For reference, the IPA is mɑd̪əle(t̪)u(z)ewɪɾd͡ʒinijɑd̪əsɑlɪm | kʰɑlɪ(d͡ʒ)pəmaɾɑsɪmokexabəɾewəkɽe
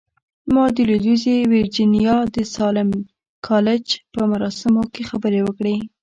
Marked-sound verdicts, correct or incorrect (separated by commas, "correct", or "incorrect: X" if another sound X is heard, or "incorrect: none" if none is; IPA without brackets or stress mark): incorrect: d̪, correct, correct